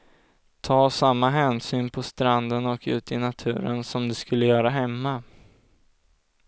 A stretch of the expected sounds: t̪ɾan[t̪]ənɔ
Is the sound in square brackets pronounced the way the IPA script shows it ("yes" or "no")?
no